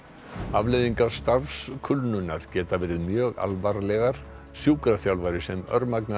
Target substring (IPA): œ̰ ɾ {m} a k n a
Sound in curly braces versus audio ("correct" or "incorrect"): correct